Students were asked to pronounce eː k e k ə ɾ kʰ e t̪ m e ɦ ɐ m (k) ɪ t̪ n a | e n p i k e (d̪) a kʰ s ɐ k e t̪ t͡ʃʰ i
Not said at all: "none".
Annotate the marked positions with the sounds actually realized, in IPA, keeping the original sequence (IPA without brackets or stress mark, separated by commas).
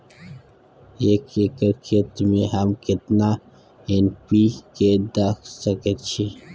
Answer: k, d̪